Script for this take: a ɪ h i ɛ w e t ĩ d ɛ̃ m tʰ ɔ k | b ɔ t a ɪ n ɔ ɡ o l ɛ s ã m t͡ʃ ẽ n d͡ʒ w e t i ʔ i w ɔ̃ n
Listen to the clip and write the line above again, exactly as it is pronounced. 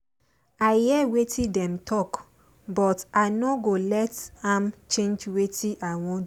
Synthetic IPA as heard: a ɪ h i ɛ w e t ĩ d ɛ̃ m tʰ ɔ k | b ɔ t a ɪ n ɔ ɡ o l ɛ t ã m t͡ʃ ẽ n d͡ʒ w e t i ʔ a w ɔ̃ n

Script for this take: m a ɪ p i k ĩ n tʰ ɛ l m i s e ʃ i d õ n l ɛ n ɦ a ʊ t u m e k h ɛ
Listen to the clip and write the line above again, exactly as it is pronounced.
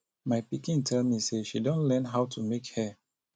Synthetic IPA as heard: m a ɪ p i k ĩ n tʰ ɛ l m i s e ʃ i d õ n l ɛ n ɦ a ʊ t u m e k h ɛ

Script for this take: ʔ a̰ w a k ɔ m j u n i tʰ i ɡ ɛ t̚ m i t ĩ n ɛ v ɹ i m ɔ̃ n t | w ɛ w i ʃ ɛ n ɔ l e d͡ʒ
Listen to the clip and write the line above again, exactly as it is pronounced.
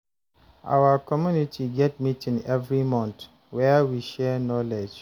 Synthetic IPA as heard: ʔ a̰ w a k ɔ m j u n i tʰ i ɡ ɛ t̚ m i t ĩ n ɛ v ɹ i m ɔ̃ n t | w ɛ w i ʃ ɛ n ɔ l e d͡ʒ

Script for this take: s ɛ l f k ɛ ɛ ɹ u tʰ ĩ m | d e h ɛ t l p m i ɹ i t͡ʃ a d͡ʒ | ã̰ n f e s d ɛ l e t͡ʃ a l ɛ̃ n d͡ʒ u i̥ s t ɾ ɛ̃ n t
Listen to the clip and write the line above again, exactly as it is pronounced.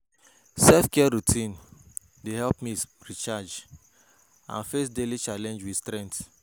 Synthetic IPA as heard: s ɛ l f k ɛ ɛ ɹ u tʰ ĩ n | d e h ɛ l p m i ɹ i t͡ʃ a d͡ʒ | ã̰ n f e s d e l i t͡ʃ a l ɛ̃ n d͡ʒ w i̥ s t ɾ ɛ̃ n t

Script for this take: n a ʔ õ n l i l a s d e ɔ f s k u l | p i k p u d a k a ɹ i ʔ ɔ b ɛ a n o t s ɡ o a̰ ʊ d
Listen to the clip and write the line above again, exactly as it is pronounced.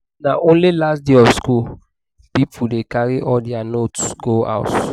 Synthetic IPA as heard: n a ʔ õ n l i l a s d e ɔ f s k u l | p i p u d e k a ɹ i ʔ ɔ d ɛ a n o t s ɡ o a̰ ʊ t

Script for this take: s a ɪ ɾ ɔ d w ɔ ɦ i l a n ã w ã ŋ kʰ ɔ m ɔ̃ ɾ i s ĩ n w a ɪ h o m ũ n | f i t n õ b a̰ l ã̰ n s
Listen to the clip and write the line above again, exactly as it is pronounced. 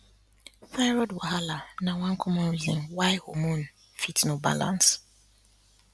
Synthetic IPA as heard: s a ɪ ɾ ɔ d w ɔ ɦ a l a n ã w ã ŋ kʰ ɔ m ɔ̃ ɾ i z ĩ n w a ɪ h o m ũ n | f i t n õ b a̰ l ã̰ n s

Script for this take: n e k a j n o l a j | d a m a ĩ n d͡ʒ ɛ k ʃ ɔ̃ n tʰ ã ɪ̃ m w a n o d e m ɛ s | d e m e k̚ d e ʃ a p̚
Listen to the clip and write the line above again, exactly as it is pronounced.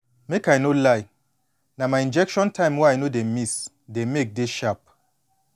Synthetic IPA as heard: m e k a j n o l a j | n a m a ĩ n d͡ʒ ɛ k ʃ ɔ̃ n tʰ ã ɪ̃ m w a n o d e m i s | d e m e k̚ d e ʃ a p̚

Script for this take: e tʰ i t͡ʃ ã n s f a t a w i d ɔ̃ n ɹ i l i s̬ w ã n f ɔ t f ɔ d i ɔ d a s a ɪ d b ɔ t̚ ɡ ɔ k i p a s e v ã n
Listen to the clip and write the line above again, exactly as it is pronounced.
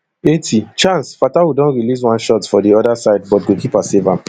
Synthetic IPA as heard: e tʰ i t͡ʃ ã n s f a t a w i d ɔ̃ n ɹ i l i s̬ w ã n ʃ ɔ t f ɔ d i ɔ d a s a ɪ d b ɔ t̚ ɡ o k i p a s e v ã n

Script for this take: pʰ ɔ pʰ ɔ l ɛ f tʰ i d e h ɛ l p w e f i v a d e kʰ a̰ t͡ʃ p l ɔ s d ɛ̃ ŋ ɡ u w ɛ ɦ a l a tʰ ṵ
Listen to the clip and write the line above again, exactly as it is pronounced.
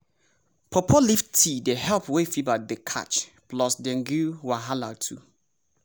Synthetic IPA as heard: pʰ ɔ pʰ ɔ l i f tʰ i d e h ɛ l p w e f i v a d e kʰ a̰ t͡ʃ p l ɔ s d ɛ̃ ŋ ɡ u w a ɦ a l a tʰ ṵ

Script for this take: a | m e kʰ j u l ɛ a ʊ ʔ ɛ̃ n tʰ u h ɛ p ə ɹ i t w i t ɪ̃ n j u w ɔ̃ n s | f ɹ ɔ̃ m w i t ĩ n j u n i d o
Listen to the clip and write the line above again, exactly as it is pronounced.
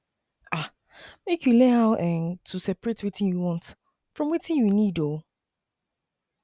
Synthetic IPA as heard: a | m e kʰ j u l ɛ a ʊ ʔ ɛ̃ n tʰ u s ɛ p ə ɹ e t w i t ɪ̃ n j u w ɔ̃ n t | f ɹ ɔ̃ m w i t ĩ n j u n i d o

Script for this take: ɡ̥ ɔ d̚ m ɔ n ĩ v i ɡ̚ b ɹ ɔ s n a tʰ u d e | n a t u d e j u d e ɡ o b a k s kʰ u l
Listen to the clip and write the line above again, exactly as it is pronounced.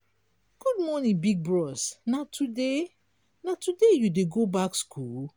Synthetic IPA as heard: ɡ̥ u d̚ m ɔ n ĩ b i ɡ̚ b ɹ ɔ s n a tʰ u d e | n a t u d e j u d e ɡ o b a k s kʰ u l

